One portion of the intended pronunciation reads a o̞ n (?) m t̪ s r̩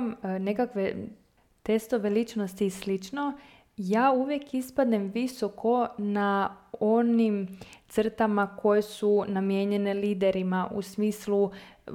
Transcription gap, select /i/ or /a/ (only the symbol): i